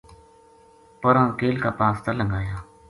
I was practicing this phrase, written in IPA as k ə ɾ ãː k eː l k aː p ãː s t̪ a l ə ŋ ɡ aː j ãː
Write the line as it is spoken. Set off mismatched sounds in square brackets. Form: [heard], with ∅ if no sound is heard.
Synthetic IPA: [p] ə ɾ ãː k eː l k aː p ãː s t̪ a l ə ŋ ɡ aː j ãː

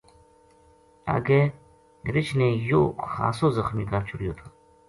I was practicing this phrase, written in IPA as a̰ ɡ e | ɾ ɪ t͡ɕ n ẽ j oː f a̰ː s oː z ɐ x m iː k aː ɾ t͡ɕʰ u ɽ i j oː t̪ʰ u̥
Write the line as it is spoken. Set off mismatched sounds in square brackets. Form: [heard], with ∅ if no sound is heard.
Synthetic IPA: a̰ ɡ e | ɾ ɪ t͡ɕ n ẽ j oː [x] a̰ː s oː z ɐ x m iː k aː ɾ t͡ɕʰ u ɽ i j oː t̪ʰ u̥

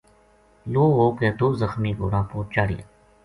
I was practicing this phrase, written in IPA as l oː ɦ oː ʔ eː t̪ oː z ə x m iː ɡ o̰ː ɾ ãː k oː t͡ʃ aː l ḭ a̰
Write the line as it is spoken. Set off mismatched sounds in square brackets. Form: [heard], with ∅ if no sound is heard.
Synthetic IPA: l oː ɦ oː [k] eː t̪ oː z ə x m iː ɡ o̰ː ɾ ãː [p] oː t͡ʃ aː [ɽ] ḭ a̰

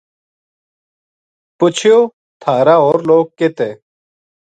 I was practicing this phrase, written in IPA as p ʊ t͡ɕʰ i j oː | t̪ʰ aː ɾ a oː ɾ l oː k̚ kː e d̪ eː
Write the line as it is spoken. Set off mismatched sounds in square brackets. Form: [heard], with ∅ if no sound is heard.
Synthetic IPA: p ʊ t͡ɕʰ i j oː | t̪ʰ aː ɾ a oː ɾ l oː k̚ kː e [t̪] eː

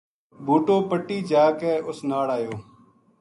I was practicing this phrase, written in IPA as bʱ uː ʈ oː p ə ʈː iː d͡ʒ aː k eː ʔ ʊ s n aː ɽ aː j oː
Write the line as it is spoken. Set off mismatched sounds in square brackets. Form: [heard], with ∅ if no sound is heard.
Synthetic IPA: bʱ uː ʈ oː p ə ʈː iː d͡ʒ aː k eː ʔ ʊ s n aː ɽ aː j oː

